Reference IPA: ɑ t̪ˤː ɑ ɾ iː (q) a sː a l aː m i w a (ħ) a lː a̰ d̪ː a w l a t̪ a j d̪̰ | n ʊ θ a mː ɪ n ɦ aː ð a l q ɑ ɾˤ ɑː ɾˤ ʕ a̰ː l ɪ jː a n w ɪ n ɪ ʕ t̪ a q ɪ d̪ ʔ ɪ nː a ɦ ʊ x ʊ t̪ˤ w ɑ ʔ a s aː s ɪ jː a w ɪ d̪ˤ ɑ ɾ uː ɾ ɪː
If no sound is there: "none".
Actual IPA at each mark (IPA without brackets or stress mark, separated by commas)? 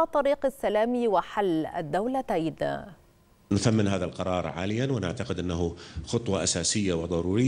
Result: q, ħ